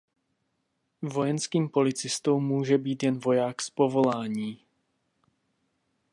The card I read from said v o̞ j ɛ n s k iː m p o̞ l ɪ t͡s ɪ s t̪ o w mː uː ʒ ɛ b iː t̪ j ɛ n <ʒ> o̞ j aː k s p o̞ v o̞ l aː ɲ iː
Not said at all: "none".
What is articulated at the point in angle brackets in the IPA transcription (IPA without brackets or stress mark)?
v